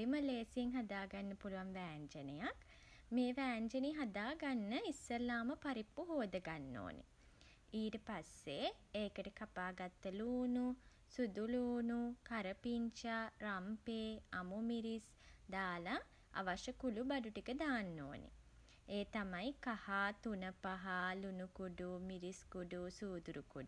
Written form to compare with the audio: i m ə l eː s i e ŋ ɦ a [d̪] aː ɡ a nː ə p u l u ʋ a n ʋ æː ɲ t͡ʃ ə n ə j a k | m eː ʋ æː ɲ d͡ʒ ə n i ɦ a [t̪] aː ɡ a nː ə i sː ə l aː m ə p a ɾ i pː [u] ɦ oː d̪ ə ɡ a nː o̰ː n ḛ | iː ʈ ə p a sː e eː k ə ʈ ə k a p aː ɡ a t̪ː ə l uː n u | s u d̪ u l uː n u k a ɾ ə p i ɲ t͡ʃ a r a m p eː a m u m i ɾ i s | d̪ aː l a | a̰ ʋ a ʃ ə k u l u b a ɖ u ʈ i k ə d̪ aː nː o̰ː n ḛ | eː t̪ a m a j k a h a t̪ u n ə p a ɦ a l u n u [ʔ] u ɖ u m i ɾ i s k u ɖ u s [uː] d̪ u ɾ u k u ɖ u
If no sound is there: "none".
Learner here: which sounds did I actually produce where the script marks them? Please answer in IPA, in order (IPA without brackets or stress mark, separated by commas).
d̪, d̪, u, k, uː